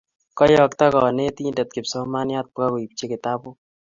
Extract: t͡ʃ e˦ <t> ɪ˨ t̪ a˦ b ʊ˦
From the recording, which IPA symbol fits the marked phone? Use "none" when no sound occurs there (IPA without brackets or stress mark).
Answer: k